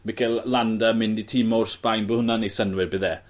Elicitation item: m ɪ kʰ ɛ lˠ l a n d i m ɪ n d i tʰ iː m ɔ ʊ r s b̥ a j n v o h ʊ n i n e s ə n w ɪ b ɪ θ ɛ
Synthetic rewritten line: m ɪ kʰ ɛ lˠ l a n d a m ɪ n d i tʰ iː m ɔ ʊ r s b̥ a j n b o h ʊ n a n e s ə n w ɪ b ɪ ð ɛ